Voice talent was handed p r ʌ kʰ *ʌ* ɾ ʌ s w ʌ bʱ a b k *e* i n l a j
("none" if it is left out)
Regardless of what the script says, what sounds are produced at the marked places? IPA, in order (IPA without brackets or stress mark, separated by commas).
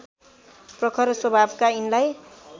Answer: ʌ, a